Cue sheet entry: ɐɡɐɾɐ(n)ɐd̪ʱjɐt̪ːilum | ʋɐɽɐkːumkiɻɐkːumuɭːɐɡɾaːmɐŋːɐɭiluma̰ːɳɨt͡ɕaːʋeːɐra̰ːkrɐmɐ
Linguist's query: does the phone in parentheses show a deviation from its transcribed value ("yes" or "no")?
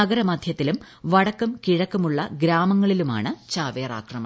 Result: yes